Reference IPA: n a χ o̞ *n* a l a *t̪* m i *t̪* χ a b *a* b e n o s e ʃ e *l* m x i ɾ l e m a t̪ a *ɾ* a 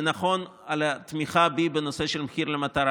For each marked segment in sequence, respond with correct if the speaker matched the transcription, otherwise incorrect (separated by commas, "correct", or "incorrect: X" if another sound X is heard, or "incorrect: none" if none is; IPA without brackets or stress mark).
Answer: correct, correct, incorrect: none, incorrect: i, correct, correct